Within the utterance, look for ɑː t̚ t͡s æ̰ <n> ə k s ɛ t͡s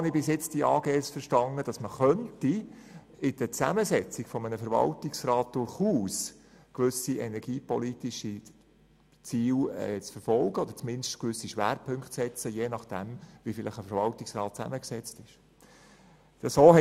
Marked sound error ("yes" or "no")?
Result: yes